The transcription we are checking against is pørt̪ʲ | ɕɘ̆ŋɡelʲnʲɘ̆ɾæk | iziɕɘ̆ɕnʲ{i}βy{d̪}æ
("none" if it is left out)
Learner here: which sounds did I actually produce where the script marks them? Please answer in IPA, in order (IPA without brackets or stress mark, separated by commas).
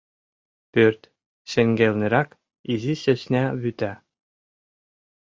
æ, t̪